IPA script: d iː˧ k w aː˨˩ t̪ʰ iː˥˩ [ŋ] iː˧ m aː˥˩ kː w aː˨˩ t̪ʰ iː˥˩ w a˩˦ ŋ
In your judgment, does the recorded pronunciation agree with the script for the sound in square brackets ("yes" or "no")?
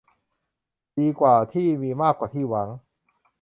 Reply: no